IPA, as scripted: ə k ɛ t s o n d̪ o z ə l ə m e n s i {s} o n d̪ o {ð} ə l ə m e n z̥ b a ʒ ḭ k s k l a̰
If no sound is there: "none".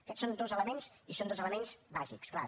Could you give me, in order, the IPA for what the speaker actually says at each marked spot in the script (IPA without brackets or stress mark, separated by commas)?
s, z